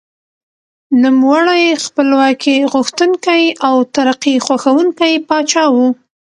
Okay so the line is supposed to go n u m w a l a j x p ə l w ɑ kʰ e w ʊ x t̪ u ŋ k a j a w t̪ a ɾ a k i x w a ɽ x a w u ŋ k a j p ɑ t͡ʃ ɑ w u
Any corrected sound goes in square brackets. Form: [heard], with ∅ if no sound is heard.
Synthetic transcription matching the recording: n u m w a [ɽ] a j x p ə l w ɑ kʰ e [ɣ] ʊ x t̪ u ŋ k a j a w t̪ a ɾ a [q] i x w a [∅] x a w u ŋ k a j p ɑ t͡ʃ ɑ w u